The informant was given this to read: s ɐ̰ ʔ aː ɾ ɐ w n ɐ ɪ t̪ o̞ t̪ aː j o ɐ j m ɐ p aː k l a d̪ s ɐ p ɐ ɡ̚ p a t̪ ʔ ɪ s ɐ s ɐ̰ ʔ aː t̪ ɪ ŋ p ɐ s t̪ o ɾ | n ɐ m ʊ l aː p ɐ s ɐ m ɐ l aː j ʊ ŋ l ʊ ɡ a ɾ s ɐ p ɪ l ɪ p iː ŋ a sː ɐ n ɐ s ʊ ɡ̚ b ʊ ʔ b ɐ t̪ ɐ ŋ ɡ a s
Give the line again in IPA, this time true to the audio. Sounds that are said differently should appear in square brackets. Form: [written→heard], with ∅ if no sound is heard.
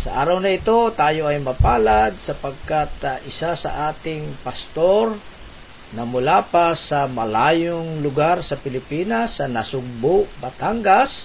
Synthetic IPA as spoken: s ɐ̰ ʔ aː ɾ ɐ w n ɐ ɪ t̪ o̞ t̪ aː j o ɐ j m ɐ p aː [k→∅] l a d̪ s ɐ p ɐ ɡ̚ [p→k] a t̪ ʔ ɪ s [ɐ→a] s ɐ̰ ʔ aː t̪ ɪ ŋ p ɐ s t̪ o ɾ | n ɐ m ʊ l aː p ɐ s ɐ m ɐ l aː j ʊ ŋ l ʊ ɡ a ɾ s ɐ p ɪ l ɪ p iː [ŋ→n] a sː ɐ n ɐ s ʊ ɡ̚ b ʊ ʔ b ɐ t̪ [ɐ→a] ŋ ɡ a s